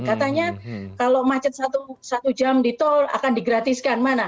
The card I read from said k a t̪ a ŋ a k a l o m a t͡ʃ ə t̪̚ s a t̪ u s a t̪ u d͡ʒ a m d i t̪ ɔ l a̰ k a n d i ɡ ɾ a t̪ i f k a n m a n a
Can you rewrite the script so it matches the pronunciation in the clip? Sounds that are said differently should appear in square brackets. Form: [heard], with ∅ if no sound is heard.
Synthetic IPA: k a t̪ a [ɲ] a k a l o m a t͡ʃ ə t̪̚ s a t̪ u s a t̪ u d͡ʒ a m d i t̪ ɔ l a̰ k a n d i ɡ ɾ a t̪ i [s] k a n m a n a